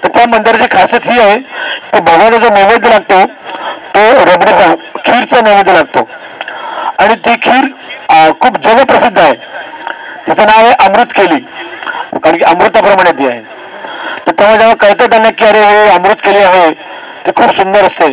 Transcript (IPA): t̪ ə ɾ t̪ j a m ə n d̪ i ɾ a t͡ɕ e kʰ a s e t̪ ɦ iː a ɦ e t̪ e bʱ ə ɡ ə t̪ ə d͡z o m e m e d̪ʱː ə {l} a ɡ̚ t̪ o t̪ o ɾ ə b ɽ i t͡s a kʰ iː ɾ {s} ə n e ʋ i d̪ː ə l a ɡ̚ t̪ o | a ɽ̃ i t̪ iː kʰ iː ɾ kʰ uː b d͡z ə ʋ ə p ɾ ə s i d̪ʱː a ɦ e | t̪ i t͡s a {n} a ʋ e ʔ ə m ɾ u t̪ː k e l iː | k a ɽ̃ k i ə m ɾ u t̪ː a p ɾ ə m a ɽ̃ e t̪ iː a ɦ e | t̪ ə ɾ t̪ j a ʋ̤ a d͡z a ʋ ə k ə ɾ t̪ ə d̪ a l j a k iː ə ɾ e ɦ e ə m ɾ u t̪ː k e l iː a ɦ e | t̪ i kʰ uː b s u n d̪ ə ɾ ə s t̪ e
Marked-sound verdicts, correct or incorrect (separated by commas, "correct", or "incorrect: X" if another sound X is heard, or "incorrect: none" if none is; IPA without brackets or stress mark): correct, incorrect: t͡s, correct